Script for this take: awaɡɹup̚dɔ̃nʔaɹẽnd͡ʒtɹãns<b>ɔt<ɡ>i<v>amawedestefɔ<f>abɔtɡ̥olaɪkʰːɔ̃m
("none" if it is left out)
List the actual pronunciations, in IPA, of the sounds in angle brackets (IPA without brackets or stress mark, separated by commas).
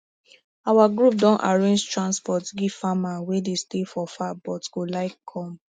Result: p, ɡ, f, f